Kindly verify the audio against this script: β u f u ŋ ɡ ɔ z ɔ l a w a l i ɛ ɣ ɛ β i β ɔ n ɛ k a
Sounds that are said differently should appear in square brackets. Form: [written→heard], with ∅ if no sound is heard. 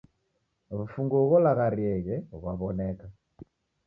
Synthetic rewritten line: β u f u ŋ ɡ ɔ [z→ɣ] ɔ l a [w→ɣ] a [l→ɾ] i ɛ ɣ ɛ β [i→a] β ɔ n ɛ k a